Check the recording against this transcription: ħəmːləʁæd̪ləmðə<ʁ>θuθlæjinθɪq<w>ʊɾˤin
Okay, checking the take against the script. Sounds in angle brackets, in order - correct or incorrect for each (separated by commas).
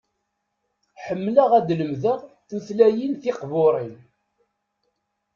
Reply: correct, incorrect